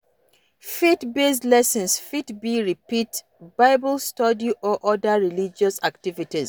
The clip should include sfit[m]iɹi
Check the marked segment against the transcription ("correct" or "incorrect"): incorrect